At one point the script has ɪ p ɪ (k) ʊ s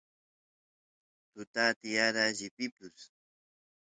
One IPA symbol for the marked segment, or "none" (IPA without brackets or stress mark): p